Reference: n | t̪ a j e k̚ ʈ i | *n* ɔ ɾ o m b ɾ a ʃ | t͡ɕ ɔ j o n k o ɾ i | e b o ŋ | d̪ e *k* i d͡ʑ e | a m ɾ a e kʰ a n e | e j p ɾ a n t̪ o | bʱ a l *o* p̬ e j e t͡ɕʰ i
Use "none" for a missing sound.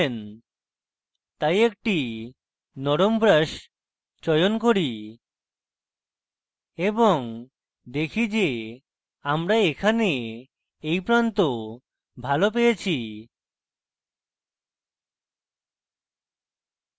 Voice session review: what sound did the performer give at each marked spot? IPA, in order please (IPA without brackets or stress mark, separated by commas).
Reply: n, kʰ, o